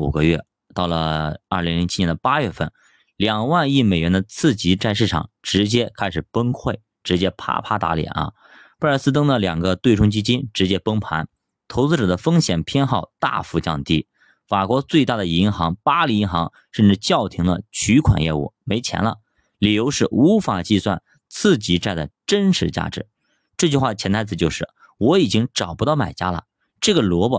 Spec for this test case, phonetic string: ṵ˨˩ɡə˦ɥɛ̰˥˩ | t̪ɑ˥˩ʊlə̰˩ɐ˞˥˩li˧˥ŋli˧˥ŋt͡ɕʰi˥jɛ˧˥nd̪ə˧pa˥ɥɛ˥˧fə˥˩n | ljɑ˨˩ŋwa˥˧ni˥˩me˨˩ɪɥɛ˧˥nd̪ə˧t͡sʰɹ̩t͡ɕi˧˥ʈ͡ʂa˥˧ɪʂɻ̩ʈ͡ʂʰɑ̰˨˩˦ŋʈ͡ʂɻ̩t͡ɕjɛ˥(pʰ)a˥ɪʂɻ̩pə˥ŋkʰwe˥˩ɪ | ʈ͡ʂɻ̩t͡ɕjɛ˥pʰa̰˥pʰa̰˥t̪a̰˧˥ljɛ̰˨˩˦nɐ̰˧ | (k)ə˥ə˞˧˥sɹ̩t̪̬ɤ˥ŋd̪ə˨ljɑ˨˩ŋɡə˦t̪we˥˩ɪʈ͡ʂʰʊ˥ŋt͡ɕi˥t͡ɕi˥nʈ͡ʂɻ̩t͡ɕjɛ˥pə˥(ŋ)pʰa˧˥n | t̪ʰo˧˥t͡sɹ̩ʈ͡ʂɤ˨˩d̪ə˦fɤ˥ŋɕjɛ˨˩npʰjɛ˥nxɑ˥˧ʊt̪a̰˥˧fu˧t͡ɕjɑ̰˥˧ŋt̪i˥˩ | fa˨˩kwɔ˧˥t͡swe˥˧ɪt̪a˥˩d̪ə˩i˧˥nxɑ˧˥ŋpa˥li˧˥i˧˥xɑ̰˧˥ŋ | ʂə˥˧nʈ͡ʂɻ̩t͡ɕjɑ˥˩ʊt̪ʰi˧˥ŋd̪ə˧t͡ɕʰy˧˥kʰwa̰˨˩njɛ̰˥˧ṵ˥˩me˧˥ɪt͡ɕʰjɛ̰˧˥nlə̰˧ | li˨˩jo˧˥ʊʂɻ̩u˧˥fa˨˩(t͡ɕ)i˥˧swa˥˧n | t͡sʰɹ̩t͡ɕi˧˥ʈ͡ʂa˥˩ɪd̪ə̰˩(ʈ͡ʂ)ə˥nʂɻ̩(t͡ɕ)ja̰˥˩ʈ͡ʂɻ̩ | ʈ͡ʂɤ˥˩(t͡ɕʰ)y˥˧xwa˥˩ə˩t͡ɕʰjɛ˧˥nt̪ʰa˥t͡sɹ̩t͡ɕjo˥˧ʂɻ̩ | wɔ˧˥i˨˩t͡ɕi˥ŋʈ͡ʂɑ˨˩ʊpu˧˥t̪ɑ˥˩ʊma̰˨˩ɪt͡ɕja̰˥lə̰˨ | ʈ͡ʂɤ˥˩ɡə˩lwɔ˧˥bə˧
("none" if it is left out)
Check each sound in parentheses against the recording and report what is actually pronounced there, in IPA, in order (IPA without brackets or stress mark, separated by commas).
kʰ, p, ŋ, t͡ɕ, ʈ͡ʂ, t͡ɕ, t͡ɕ